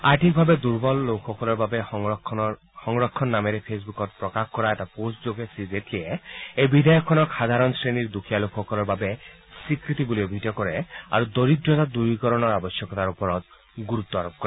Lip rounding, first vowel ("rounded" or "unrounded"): unrounded